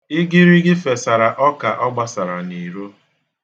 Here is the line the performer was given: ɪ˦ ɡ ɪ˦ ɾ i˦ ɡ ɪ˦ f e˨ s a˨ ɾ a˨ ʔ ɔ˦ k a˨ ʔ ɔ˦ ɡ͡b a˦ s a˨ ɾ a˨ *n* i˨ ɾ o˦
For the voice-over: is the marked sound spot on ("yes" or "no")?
yes